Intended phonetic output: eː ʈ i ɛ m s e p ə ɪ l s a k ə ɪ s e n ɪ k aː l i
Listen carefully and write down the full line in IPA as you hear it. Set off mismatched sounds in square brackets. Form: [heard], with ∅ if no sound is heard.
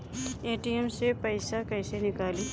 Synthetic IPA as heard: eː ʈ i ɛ m s e p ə ɪ [∅] s a k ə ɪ s e n ɪ k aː l i